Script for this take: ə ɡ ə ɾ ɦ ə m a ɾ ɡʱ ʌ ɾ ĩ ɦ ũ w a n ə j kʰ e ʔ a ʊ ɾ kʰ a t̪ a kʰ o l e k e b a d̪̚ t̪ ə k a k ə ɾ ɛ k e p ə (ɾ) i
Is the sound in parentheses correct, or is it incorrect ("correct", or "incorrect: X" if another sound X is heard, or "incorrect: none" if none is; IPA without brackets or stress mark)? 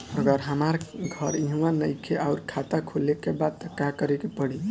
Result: incorrect: ɽ